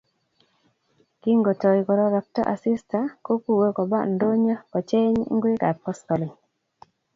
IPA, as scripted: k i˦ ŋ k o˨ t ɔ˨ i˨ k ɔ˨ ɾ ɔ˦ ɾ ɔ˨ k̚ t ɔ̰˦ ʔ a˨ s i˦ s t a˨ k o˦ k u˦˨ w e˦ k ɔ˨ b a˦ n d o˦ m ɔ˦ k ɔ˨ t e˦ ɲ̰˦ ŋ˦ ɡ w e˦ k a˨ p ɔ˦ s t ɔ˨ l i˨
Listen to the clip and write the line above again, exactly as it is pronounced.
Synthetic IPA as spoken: k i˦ ŋ ɡ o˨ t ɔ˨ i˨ k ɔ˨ ɾ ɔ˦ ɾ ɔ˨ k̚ t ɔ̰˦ ʔ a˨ s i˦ s t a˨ k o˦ k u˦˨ w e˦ k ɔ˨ b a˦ n d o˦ ɲ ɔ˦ k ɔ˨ t͡ʃ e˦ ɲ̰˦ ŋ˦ ɡ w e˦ k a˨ p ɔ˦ s t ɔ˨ l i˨